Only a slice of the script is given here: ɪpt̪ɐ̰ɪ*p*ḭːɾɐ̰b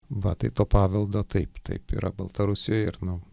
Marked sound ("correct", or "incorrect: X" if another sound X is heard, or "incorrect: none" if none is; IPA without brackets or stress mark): correct